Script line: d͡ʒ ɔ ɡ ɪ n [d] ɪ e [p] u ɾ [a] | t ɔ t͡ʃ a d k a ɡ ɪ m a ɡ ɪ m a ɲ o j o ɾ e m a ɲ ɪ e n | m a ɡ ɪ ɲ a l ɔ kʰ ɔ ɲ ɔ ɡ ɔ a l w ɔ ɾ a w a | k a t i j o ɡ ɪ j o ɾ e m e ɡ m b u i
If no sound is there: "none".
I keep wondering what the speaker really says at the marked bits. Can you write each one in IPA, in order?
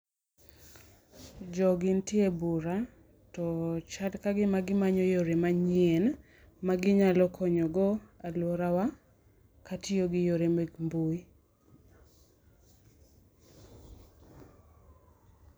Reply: t, b, a

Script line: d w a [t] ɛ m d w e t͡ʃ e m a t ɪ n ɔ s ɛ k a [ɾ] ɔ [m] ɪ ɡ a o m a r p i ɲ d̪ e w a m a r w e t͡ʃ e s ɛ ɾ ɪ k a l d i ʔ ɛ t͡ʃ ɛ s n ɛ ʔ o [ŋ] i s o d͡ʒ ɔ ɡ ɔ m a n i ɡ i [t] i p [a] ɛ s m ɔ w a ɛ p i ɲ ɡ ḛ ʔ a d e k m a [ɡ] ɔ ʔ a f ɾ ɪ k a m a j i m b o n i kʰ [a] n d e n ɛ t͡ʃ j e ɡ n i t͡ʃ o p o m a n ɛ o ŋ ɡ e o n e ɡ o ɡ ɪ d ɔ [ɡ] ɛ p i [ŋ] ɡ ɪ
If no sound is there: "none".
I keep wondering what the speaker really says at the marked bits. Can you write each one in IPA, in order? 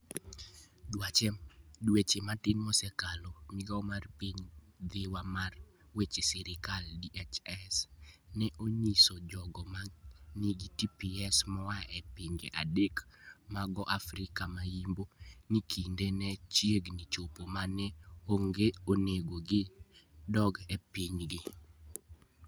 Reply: t͡ʃ, l, m, ɲ, t, i, ɡ, i, ɡ, ɲ

